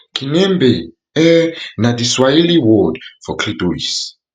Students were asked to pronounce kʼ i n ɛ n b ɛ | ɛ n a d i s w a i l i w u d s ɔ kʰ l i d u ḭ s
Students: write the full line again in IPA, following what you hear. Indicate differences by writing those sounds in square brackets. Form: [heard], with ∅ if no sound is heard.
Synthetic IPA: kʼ i n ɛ [m] b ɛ | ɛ n a d i s w a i l i w [ɔ] d [f] ɔ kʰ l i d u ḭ s